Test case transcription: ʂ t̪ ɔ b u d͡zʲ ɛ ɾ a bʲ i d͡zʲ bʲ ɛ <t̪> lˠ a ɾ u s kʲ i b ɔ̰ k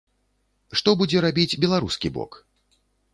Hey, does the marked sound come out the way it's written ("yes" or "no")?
no